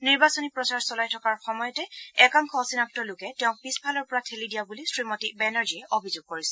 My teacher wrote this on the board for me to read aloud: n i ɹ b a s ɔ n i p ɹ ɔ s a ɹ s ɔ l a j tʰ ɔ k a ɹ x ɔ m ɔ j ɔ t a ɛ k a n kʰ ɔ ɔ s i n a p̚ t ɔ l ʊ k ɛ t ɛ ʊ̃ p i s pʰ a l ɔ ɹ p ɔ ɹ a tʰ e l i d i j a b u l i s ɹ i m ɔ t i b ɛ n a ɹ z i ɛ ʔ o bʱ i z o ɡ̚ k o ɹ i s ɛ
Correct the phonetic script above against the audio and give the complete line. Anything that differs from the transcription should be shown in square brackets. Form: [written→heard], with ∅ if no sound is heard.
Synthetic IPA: n i ɹ b a s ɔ n i p ɹ ɔ s a ɹ s ɔ l a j tʰ ɔ k a ɹ x ɔ m ɔ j ɔ t [a→ɛ] ɛ k a [n→ŋ] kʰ ɔ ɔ s i n a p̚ t ɔ l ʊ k ɛ t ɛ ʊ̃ p i s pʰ a l ɔ ɹ p ɔ ɹ a tʰ e l i d i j a b u l i s ɹ i m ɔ t i b ɛ n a ɹ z i ɛ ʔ o bʱ i z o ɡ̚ k o ɹ i s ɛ